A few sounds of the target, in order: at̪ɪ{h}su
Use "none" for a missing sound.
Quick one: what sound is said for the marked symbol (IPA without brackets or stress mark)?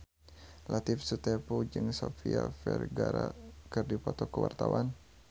f